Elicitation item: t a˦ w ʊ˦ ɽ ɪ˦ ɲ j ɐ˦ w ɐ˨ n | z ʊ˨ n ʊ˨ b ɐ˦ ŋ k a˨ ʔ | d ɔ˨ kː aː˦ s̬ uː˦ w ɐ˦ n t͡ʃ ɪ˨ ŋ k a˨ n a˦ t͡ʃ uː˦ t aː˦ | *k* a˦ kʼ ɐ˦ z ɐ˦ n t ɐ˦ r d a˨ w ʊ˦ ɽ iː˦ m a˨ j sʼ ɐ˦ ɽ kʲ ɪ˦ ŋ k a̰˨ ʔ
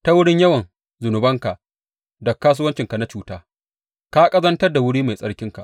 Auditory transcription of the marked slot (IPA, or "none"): k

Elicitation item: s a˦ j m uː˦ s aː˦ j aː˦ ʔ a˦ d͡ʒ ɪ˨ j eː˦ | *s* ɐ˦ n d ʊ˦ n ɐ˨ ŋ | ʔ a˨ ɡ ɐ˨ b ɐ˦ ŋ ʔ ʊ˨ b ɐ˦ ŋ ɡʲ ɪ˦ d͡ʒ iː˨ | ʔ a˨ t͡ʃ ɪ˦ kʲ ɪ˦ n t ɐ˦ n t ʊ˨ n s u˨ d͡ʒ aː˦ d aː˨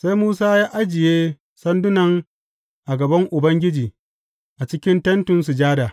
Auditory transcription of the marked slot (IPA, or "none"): s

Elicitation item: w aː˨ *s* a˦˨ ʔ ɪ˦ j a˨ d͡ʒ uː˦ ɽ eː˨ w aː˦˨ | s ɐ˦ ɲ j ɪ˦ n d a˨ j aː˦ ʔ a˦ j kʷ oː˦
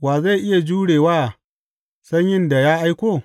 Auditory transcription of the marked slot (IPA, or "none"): z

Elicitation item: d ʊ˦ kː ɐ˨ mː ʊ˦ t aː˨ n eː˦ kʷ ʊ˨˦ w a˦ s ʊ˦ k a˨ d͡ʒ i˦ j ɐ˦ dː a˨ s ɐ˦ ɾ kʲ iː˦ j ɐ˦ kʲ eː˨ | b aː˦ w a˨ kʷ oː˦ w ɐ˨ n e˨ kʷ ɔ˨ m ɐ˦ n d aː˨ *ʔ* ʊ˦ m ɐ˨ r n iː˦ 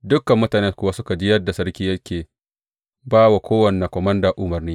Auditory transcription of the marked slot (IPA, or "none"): ʔ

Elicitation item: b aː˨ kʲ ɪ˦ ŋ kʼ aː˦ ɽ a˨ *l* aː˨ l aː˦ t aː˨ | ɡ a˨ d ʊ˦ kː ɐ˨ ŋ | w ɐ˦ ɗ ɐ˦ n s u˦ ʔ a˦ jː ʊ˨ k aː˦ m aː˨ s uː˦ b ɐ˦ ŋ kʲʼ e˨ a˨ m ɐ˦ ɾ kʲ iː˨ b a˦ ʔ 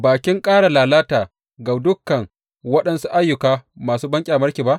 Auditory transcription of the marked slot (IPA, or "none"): l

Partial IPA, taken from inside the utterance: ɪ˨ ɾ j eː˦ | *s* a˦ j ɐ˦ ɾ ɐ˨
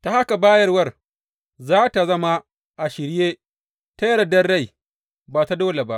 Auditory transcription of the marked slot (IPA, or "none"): t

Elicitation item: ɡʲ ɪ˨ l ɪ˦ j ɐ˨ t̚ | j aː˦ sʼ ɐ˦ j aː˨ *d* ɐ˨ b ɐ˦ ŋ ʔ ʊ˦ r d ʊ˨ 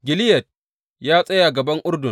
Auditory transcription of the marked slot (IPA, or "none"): ɡ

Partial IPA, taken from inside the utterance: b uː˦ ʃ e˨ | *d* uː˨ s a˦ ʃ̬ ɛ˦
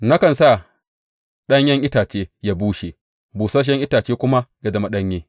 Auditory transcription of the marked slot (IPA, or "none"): b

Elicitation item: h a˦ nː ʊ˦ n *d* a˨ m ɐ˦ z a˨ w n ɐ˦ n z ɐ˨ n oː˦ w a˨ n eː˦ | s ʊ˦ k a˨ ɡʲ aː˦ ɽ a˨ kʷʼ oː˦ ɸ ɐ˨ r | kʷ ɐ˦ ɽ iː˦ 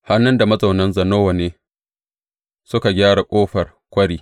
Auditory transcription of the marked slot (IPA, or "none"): d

